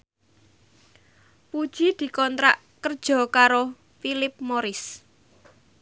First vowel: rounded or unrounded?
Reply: rounded